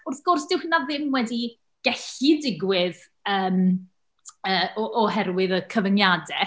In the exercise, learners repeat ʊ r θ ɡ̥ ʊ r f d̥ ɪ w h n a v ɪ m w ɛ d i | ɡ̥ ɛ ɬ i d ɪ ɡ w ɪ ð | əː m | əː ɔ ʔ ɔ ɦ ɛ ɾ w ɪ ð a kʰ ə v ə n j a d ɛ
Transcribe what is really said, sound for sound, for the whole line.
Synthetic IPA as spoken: ʊ r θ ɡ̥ ʊ r s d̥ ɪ w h n a ð ɪ m w ɛ d i | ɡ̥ ɛ ɬ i d ɪ ɡ w ɪ ð | əː m | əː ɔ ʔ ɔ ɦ ɛ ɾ w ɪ ð ə kʰ ə v ə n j a d ɛ

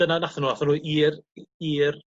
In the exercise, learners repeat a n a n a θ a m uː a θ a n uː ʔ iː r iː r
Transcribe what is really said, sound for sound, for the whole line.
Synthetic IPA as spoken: ə n a n a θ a n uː a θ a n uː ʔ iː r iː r

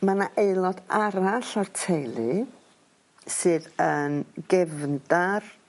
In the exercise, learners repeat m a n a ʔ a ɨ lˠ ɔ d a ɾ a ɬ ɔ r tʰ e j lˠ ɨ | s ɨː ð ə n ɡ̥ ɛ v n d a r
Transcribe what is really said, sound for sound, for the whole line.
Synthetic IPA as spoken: m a n a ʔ e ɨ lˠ ɔ d a ɾ a ɬ ɔ r tʰ e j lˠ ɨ | s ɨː ð ə n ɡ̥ ɛ v n d a r

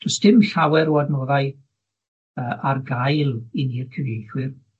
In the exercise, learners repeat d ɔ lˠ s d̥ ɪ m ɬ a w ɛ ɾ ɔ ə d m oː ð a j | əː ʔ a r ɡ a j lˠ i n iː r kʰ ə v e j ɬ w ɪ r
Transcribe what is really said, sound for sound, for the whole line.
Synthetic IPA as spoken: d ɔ s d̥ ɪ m ɬ a w ɛ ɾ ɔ a d n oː ð a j | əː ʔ a r ɡ a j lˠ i n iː r kʰ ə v e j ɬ w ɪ r

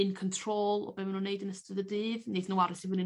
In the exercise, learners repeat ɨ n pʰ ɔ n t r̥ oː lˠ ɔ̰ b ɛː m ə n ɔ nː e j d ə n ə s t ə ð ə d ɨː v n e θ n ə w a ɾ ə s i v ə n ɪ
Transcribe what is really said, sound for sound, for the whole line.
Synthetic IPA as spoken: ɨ n kʰ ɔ n tʰ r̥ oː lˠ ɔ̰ b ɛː m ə n u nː e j d ə n ə s t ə ð ə d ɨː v n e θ n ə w a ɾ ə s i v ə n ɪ

